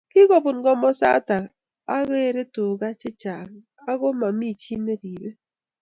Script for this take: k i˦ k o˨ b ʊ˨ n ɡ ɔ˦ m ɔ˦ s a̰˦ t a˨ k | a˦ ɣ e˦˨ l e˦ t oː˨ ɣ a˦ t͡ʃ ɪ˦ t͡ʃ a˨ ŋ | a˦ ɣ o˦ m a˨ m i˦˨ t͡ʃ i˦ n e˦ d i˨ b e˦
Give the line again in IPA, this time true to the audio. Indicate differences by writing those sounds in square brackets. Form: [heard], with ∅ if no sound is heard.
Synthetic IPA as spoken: k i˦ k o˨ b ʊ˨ n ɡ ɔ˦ m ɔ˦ s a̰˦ t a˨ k | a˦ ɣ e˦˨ [ɾ] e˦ t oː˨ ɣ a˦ t͡ʃ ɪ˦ t͡ʃ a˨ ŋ | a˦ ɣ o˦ m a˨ m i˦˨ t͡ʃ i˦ n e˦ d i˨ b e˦